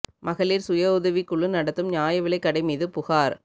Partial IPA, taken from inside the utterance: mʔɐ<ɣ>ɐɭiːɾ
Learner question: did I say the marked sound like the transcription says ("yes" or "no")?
yes